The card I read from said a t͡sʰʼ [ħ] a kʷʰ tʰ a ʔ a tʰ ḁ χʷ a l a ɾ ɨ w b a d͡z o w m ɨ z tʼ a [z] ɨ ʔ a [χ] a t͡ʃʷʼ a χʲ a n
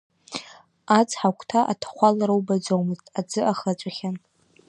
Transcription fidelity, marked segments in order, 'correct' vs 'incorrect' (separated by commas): correct, incorrect, correct